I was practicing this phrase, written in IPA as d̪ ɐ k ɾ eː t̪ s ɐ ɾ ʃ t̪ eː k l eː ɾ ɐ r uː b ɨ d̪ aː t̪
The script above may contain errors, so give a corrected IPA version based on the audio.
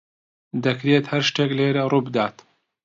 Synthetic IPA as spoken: d̪ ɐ k ɾ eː t̪ h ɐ ɾ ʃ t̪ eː k l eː ɾ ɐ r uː b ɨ d̪ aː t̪